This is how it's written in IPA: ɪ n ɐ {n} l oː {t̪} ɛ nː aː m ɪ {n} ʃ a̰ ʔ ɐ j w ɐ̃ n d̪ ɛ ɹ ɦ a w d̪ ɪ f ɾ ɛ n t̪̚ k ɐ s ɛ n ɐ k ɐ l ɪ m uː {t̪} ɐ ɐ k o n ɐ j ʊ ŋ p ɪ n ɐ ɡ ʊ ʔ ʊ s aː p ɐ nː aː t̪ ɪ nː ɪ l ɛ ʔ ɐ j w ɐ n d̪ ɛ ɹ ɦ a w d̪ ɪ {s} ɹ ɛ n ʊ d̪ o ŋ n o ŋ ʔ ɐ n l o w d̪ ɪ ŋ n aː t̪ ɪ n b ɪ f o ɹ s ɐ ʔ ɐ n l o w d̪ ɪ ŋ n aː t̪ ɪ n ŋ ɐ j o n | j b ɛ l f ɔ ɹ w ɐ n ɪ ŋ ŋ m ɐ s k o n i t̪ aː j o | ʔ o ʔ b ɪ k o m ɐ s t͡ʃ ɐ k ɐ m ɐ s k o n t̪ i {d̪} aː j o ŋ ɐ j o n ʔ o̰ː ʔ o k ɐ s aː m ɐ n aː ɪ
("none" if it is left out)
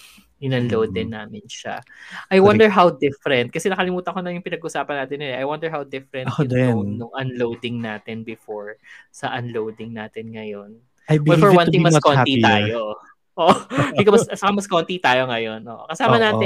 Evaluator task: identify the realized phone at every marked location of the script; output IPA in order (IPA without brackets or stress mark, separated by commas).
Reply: n, d̪, n, t̪, f, t̪